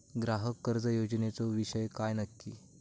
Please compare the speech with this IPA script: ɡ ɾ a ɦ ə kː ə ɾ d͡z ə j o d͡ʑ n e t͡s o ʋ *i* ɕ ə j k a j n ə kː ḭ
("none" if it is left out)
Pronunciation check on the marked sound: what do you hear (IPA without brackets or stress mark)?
i